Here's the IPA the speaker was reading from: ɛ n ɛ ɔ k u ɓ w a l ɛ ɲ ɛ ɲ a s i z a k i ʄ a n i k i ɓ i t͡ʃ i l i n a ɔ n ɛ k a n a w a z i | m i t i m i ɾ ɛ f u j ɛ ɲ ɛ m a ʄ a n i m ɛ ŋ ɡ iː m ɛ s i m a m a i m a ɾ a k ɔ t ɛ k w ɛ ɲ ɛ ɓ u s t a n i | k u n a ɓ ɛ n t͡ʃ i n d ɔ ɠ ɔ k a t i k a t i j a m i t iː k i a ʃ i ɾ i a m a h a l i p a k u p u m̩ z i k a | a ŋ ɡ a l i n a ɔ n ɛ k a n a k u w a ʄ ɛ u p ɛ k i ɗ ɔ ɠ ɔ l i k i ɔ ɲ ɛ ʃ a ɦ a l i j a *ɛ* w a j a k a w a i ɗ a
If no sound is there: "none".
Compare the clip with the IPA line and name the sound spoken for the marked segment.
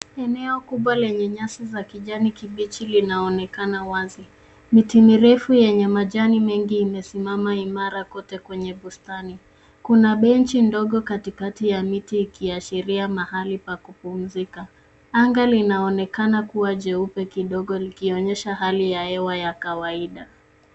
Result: ɛ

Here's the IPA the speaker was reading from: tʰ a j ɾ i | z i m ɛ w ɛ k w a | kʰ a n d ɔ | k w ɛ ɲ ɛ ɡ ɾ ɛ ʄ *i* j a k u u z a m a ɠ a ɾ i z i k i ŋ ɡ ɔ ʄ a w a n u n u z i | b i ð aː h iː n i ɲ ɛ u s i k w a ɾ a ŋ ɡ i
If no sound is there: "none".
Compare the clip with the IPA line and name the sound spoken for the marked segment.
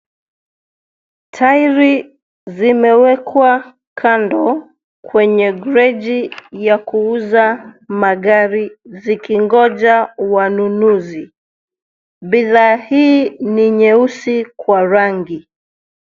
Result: i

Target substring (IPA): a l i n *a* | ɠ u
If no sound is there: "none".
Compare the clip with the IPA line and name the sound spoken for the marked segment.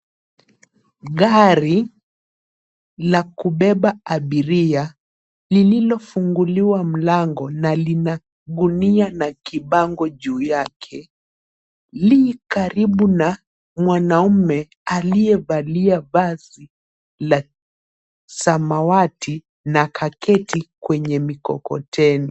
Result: a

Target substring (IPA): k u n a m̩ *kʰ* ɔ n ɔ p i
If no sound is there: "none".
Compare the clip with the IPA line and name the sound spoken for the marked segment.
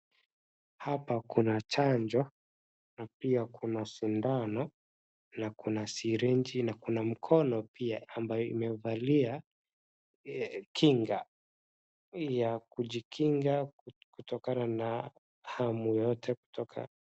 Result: kʰ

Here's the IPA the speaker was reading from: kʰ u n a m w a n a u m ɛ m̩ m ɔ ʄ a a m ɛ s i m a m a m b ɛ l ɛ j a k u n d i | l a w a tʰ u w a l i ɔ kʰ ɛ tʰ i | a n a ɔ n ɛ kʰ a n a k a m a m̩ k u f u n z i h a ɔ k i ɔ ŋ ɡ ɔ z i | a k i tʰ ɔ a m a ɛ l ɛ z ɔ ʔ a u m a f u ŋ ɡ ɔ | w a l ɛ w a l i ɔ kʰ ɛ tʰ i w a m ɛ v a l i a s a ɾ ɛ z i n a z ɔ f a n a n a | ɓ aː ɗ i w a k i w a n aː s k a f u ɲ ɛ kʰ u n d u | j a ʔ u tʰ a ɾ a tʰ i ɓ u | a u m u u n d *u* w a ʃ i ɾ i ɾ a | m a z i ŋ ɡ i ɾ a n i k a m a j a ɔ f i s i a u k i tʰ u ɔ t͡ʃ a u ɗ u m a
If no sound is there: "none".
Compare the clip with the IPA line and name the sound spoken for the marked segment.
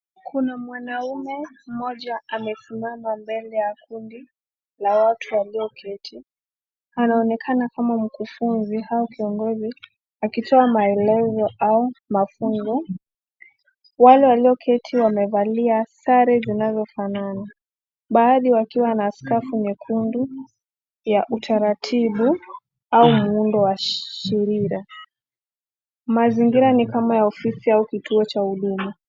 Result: ɔ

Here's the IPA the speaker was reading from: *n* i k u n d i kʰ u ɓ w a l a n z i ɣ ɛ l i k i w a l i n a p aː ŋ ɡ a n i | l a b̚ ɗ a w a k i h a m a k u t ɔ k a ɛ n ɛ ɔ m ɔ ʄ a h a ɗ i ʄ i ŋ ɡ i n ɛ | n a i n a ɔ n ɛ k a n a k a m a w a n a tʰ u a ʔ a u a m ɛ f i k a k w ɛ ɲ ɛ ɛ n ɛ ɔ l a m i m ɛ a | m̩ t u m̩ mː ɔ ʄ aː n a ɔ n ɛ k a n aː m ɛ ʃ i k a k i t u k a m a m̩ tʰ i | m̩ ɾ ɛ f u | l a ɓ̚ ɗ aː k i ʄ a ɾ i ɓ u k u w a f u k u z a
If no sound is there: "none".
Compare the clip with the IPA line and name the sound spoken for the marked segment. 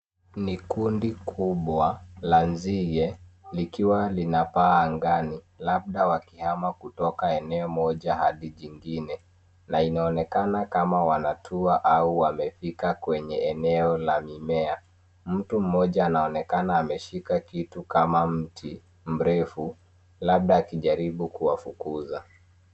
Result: n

